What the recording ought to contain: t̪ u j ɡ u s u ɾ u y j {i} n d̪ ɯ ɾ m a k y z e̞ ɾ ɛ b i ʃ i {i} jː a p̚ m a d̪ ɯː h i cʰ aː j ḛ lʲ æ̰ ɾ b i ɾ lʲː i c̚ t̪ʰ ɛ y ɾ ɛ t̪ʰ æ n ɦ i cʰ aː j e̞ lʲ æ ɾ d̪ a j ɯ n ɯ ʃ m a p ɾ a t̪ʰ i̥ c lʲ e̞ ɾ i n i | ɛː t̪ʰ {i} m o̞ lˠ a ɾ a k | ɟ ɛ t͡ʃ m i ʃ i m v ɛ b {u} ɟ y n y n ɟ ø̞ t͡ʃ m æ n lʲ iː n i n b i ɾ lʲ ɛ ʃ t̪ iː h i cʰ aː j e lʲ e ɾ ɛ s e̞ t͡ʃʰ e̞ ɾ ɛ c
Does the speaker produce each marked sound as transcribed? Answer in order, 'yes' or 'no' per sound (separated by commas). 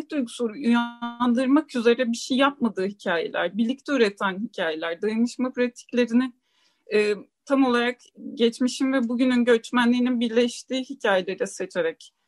no, no, no, yes